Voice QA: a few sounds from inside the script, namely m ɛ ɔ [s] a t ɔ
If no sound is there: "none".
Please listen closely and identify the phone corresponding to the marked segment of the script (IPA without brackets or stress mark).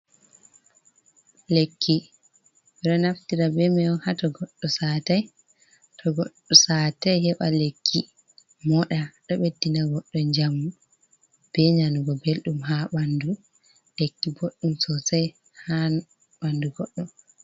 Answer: h